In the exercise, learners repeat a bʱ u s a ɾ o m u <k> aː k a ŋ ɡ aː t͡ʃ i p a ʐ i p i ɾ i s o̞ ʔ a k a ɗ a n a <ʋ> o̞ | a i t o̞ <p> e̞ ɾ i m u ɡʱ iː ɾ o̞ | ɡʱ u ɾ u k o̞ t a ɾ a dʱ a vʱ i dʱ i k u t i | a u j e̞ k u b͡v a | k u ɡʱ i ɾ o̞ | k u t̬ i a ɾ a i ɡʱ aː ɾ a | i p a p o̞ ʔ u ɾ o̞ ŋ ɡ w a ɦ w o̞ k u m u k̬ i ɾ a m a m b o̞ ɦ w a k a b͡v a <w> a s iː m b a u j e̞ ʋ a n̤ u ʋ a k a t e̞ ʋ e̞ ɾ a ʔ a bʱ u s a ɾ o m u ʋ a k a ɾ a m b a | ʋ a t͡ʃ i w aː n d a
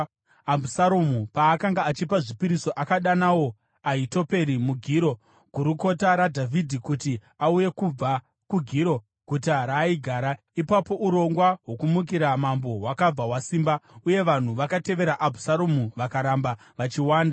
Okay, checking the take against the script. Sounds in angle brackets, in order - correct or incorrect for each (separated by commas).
incorrect, incorrect, correct, correct